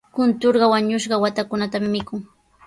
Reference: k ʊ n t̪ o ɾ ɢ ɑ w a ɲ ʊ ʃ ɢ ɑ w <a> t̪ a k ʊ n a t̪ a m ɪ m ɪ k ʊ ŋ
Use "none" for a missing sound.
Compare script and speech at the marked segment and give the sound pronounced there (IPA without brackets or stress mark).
a